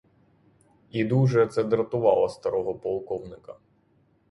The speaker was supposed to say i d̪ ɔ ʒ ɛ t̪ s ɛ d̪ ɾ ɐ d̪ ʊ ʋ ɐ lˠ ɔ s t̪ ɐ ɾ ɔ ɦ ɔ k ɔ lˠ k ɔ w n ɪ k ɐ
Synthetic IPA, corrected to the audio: i d̪ u ʒ ɛ t̪ s ɛ d̪ ɾ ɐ t̪ ʊ ʋ ɑ lˠ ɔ s t̪ ɐ ɾ ɔ ɦ ɔ p ɔ lˠ k ɔ w n ɪ k ɐ